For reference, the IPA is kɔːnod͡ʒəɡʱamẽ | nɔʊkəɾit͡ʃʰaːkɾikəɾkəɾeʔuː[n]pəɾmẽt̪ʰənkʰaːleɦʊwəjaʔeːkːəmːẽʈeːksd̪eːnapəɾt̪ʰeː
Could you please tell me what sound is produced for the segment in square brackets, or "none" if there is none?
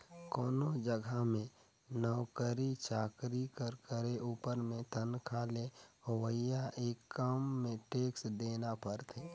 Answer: none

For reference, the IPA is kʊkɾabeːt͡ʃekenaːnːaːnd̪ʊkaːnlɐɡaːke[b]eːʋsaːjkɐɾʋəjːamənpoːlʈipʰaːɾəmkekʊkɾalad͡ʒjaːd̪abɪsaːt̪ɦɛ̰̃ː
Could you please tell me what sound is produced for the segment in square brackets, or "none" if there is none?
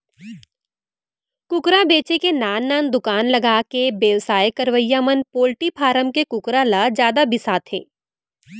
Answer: b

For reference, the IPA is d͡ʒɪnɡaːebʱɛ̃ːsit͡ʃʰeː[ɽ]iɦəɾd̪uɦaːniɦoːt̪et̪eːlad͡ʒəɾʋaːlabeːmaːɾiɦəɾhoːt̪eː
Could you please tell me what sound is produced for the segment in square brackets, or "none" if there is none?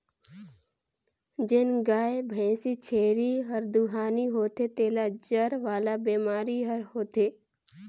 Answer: ɾ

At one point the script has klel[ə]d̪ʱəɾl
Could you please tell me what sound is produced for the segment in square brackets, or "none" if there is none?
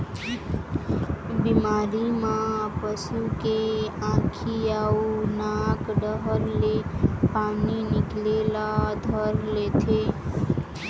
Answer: a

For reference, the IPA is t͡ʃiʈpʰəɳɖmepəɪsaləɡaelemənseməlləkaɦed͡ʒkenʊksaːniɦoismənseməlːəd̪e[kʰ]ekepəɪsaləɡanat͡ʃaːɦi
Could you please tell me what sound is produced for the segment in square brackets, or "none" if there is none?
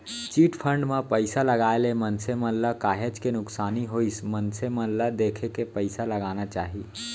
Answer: kʰ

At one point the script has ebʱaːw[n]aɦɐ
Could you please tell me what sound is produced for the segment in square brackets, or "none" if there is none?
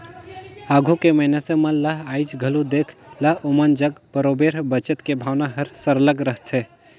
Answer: n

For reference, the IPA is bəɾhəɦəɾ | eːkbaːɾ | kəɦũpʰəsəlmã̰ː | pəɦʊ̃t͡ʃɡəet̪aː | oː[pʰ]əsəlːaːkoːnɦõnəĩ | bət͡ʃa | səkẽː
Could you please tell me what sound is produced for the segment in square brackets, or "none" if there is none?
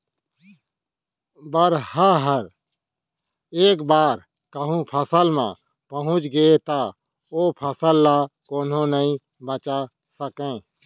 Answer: pʰ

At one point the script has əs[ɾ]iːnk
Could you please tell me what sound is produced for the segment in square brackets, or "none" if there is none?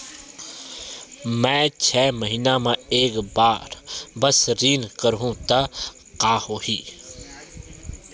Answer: ɾ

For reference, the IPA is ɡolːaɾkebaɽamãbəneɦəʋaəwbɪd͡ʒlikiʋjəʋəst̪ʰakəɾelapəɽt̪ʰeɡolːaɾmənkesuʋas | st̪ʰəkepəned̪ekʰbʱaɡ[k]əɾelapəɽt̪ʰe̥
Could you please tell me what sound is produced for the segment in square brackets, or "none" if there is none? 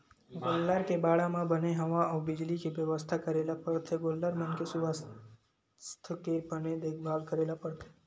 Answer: k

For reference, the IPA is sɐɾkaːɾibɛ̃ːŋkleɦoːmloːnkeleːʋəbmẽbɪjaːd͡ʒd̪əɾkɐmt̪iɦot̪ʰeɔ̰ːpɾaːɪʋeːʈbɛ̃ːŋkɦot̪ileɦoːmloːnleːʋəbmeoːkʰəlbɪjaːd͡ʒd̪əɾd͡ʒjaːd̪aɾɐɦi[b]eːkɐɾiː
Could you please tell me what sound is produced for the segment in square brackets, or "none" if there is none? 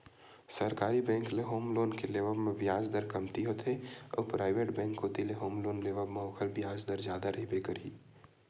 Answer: b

